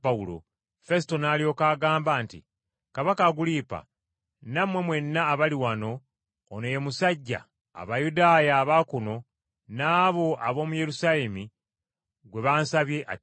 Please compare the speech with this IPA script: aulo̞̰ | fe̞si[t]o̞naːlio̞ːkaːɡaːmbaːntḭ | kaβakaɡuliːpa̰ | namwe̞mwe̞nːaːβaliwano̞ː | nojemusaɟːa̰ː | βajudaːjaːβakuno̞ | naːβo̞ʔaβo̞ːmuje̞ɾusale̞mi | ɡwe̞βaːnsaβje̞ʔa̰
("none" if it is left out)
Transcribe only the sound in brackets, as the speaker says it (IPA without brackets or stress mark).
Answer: t